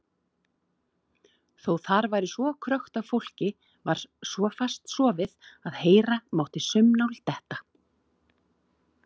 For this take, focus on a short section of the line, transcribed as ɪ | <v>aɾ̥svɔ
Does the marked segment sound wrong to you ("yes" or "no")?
no